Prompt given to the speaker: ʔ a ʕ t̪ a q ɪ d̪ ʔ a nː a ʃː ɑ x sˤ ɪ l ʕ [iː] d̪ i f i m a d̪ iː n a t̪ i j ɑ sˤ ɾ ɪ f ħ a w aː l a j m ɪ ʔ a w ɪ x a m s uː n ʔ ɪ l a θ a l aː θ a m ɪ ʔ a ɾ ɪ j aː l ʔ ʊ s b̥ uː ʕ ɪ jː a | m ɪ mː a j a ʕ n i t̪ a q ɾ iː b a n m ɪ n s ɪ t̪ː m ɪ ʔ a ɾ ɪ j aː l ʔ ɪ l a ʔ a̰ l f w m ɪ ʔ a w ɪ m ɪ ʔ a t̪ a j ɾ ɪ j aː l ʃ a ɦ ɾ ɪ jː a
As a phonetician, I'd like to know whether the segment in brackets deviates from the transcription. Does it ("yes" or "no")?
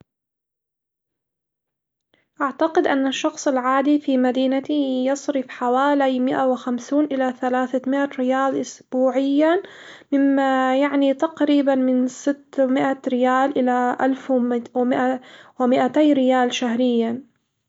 yes